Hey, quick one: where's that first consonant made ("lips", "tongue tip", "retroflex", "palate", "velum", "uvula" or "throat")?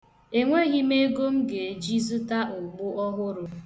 velum